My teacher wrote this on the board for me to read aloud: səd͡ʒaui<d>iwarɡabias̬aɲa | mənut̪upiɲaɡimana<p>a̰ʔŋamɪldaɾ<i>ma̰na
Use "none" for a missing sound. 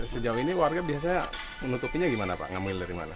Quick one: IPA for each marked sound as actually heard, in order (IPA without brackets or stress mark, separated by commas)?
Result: n, p, i